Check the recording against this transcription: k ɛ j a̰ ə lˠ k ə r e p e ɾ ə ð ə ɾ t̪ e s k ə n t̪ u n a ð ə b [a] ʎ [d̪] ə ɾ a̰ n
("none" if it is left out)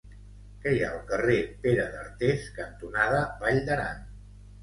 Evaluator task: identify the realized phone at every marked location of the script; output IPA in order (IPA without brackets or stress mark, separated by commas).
a, d̪